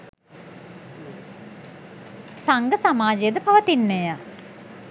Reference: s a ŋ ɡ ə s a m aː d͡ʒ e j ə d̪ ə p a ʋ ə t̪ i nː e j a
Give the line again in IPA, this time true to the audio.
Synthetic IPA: s a ŋ ɡ ə s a m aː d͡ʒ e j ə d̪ ə p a ʋ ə t̪ i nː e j a